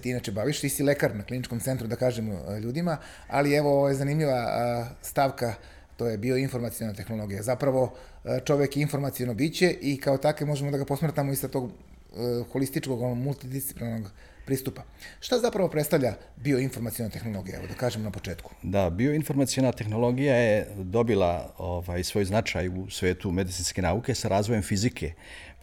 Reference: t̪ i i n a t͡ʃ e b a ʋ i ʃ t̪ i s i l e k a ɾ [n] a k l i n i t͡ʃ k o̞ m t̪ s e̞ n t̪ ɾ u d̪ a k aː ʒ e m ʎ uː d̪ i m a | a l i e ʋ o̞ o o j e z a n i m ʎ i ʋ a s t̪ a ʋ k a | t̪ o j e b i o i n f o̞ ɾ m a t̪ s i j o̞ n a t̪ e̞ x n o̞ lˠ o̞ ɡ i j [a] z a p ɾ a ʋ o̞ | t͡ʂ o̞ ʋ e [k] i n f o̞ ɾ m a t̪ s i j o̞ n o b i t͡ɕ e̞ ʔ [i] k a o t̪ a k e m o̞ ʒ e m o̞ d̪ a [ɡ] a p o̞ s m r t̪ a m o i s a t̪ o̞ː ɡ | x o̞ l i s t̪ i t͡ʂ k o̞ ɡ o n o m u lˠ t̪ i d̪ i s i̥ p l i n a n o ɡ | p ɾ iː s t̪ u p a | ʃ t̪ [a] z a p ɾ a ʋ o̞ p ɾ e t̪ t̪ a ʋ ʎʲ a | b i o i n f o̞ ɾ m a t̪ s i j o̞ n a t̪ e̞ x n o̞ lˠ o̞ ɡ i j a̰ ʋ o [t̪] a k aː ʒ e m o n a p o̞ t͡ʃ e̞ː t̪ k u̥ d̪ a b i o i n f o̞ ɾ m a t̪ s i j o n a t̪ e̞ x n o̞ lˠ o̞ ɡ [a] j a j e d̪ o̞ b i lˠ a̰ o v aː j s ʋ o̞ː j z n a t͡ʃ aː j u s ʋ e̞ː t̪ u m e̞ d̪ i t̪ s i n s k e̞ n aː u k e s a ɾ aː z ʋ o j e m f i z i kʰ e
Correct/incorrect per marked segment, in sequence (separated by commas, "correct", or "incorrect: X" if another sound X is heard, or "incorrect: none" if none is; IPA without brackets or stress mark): correct, correct, correct, correct, correct, correct, incorrect: d̪, incorrect: i